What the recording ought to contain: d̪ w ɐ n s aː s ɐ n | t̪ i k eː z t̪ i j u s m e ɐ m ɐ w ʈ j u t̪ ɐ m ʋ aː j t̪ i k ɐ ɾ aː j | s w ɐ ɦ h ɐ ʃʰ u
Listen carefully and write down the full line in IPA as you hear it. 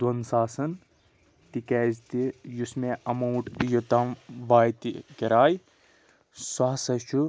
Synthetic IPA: d̪ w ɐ n s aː s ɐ n | t̪ i k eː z t̪ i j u s m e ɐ m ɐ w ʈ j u t̪ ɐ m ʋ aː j t̪ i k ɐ ɾ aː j | s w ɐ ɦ s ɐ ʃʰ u

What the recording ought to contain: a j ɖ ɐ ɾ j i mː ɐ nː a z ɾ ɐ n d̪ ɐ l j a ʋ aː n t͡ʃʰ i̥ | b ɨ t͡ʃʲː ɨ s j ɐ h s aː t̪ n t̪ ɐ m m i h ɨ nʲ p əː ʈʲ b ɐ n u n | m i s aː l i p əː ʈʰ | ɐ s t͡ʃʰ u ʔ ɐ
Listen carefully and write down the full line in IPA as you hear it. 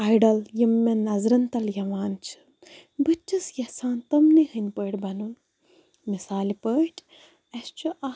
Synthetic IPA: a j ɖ ɐ l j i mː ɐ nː ɐ z ɾ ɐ n t̪ ɐ l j ɐ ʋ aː n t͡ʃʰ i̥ | b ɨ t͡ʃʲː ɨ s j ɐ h s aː n t̪ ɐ m n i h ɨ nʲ p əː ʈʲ b ɐ n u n | m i s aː l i p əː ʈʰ | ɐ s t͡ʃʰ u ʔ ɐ

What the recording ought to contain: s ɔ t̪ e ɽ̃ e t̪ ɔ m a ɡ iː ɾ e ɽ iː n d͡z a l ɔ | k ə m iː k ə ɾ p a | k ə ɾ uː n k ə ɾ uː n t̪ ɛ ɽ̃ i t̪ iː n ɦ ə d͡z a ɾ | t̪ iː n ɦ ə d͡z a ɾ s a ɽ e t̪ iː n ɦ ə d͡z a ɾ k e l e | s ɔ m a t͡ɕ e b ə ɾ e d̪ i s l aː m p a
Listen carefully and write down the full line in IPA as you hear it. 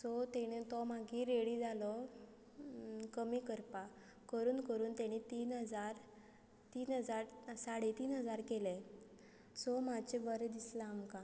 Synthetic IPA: s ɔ t̪ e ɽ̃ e t̪ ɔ m a ɡ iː ɾ e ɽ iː d͡z a l ɔ | k ə m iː k ə ɾ p a | k ə ɾ uː n k ə ɾ uː n t̪ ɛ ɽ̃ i t̪ iː n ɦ ə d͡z a ɾ | t̪ iː n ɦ ə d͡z a ɾ s a ɽ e t̪ iː n ɦ ə d͡z a ɾ k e l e | s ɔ m a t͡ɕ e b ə ɾ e d̪ i s l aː m k a

